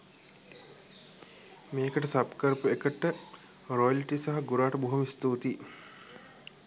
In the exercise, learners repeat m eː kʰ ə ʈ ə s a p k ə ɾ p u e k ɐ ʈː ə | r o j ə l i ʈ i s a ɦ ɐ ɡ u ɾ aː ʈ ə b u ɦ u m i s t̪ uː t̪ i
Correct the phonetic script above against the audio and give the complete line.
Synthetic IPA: m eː k ə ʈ ə s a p k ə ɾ p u e k ə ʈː ə | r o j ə l i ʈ i s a ɦ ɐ ɡ u ɾ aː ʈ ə b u ɦ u m i s t̪ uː t̪ i